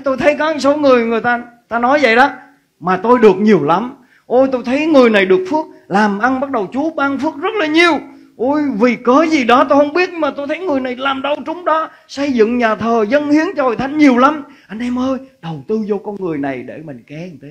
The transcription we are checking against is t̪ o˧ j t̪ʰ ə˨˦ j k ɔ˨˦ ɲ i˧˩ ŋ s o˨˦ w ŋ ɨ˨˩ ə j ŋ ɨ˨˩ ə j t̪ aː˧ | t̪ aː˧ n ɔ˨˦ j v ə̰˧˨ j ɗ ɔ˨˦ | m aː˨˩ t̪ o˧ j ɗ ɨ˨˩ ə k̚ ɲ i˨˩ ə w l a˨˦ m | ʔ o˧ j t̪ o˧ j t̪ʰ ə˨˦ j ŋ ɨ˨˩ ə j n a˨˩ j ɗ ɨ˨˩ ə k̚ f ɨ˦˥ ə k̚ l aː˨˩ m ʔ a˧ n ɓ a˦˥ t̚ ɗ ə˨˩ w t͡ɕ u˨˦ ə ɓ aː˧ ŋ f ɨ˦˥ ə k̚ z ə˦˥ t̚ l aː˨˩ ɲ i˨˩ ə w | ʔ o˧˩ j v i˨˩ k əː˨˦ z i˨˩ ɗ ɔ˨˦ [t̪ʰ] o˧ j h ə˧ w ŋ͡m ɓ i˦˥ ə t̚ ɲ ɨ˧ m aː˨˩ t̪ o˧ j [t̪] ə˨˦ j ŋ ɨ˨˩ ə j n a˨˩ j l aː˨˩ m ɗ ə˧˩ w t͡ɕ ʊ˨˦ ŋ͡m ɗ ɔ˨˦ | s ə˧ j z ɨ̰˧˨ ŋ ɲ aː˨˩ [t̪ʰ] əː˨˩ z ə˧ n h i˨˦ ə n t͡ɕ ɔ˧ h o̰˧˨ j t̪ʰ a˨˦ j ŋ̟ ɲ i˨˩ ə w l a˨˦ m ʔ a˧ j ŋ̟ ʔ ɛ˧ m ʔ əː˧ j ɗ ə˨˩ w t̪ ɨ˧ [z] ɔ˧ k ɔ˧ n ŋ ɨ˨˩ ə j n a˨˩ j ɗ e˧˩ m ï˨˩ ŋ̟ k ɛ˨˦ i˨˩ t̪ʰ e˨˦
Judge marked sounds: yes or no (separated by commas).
no, no, yes, yes